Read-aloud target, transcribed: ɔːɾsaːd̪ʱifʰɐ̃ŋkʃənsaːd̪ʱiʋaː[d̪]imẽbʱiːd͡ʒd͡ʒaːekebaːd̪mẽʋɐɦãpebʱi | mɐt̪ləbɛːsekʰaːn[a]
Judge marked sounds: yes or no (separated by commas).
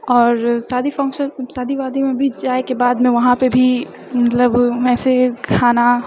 yes, yes